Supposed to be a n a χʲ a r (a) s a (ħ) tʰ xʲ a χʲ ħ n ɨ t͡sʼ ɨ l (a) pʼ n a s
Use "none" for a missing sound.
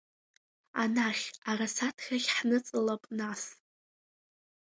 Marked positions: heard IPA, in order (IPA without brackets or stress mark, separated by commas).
a, none, a